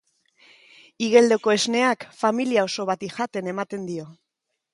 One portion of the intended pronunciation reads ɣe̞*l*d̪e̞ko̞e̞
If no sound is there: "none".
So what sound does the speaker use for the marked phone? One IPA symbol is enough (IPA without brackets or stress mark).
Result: l